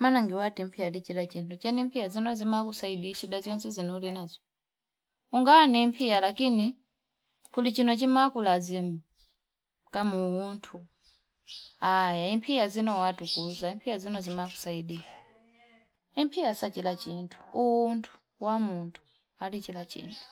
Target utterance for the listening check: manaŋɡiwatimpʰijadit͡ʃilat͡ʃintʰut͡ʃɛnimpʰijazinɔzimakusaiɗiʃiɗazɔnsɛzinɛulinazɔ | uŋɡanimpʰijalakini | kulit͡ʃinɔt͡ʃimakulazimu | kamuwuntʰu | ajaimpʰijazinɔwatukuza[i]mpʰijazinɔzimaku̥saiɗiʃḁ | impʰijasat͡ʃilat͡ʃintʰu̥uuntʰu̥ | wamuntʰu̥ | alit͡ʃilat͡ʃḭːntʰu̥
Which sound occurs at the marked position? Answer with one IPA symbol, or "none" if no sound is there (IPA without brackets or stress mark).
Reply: i